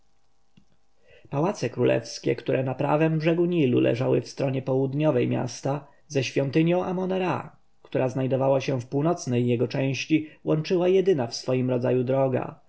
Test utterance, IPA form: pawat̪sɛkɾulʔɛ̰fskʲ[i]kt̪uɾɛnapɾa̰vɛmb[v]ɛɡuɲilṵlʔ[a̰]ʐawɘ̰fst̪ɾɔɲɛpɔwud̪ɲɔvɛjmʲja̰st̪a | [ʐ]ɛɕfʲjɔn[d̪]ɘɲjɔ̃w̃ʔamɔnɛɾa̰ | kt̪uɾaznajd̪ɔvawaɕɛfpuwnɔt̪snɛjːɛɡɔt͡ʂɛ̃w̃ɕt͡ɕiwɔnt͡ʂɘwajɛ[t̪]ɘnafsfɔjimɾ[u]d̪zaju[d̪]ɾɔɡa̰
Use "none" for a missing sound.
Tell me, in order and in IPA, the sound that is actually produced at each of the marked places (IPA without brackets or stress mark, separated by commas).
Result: ɛ, ʐ, ɛ̰, z, t̪, d̪, ɔ, d̪